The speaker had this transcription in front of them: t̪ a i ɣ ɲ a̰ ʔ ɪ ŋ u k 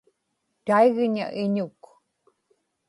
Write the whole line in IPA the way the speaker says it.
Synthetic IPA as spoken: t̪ a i ɣ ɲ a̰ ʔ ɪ ɲ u k